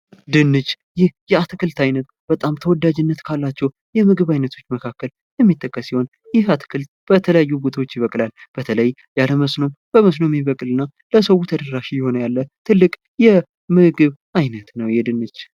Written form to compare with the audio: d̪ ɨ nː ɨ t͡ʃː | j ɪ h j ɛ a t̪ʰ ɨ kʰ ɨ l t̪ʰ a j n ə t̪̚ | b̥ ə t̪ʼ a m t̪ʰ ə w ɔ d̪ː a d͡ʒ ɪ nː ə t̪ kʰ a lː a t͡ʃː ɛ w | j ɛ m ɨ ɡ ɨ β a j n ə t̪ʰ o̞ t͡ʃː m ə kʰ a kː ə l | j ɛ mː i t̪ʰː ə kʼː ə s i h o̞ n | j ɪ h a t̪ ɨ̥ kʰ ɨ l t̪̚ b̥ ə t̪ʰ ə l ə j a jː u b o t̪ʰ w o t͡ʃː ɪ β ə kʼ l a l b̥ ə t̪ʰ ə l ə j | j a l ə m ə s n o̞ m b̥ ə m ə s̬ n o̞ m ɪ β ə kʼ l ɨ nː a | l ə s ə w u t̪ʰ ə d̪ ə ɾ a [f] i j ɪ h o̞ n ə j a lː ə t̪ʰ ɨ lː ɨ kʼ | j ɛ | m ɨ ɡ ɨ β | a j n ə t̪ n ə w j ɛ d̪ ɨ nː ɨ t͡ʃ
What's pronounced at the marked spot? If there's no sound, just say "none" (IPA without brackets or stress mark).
ʃ